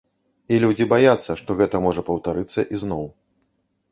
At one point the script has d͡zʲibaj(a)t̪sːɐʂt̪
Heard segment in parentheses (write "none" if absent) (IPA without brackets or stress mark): a